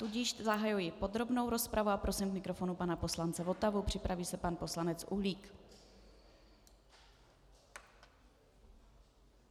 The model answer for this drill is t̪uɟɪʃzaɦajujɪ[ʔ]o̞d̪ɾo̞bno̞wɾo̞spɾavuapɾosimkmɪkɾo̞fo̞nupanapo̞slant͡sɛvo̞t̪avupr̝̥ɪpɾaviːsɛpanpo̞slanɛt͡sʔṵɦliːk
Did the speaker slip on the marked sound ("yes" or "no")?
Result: yes